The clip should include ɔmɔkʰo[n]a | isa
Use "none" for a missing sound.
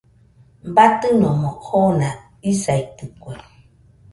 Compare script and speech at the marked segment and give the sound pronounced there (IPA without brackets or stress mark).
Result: n